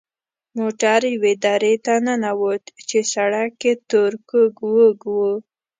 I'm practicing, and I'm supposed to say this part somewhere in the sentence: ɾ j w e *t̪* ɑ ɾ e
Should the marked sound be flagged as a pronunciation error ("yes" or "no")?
yes